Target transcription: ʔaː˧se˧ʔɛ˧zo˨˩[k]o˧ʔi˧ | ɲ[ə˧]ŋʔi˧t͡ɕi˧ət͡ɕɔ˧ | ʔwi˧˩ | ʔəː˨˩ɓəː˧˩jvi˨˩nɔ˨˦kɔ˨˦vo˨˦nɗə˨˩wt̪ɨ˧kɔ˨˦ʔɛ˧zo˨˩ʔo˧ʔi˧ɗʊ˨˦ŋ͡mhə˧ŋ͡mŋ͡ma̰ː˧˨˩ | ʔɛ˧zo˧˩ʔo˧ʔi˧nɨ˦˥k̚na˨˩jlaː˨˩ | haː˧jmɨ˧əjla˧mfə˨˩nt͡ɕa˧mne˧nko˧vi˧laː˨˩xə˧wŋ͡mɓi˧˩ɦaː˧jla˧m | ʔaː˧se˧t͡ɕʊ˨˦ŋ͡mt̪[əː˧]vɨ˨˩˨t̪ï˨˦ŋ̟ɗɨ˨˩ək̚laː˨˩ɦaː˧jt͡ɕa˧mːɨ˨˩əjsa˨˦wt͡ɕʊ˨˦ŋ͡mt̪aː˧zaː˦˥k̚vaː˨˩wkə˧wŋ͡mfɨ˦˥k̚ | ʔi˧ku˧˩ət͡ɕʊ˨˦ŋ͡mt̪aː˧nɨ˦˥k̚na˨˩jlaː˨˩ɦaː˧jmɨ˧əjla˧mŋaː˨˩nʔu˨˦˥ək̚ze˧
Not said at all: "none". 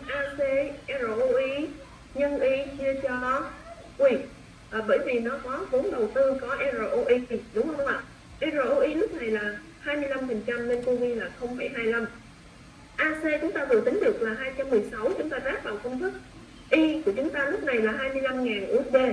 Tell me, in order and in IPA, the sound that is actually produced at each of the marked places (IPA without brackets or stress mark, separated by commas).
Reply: ʔ, ə˧, aː˧